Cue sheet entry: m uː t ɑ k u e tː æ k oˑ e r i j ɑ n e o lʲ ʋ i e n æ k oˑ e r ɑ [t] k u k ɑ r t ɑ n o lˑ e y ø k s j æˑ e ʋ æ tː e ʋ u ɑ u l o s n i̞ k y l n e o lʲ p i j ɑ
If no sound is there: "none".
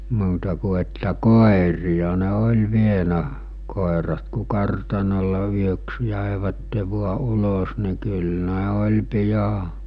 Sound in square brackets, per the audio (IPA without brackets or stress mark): t